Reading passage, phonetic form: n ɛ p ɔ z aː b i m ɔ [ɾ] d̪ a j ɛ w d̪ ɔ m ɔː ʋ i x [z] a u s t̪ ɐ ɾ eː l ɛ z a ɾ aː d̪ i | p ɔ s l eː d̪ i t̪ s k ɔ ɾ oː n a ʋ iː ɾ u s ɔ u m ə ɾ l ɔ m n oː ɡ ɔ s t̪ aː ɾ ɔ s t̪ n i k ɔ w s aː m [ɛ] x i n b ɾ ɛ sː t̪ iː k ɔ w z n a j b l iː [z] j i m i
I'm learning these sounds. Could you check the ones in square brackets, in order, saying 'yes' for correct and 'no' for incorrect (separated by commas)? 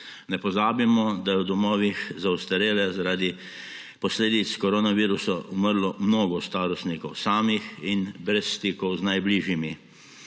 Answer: no, yes, no, no